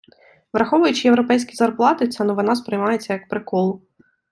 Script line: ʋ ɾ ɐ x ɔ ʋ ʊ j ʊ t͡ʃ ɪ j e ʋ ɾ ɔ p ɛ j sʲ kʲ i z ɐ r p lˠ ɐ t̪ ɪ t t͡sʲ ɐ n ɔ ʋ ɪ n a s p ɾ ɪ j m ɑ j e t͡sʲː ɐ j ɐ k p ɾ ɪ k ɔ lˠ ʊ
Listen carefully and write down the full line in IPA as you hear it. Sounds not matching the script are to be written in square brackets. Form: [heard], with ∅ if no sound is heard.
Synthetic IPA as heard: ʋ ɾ ɐ x ɔ ʋ ʊ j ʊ t͡ʃ ɪ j e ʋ ɾ ɔ p ɛ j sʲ kʲ i z ɐ r p lˠ [ɑ] t̪ ɪ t t͡sʲ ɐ n ɔ ʋ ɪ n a s p ɾ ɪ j m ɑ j e t͡sʲː ɐ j ɐ k p ɾ ɪ k ɔ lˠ ʊ

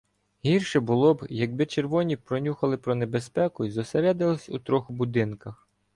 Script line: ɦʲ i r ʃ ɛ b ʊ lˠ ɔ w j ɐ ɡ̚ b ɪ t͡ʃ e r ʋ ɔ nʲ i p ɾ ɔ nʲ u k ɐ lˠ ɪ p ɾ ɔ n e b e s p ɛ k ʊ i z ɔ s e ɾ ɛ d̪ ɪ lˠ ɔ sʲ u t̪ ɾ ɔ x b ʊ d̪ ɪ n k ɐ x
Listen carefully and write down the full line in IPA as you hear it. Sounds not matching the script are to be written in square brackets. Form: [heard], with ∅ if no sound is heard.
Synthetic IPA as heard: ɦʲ i r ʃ ɛ b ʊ lˠ ɔ [b] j ɐ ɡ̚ b ɪ t͡ʃ e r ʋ ɔ nʲ i p ɾ ɔ nʲ u [x] ɐ lˠ ɪ p ɾ ɔ n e b e s p ɛ k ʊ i z ɔ s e ɾ ɛ d̪ ɪ lˠ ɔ sʲ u t̪ ɾ ɔ x b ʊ d̪ ɪ n k ɐ x

